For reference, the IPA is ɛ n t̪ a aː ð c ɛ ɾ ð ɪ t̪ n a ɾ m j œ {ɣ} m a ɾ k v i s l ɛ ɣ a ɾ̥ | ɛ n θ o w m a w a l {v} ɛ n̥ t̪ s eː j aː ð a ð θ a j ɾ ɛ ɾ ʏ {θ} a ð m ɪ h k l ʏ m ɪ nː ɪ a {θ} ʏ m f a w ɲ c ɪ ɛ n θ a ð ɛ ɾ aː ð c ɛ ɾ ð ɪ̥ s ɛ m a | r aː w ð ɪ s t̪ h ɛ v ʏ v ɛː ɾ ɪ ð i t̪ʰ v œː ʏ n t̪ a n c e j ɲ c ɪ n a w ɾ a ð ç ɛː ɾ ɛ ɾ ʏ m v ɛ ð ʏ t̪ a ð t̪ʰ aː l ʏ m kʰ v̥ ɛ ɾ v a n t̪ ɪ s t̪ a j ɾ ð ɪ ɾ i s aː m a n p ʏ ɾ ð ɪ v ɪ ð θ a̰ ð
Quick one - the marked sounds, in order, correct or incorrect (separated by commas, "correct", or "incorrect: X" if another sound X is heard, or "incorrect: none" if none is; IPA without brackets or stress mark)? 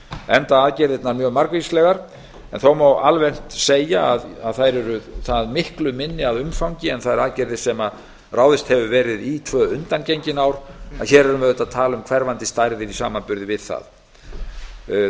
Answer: correct, correct, correct, incorrect: ð